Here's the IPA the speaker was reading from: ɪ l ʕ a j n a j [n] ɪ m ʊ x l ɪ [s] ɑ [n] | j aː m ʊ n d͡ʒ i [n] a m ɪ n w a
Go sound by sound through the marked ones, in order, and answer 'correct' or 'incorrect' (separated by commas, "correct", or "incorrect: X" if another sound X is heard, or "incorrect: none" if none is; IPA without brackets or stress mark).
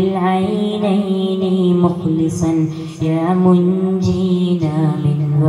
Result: correct, correct, correct, correct